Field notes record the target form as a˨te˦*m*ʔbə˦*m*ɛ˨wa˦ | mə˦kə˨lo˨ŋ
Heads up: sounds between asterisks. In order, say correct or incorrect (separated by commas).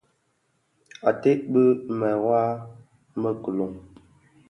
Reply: incorrect, correct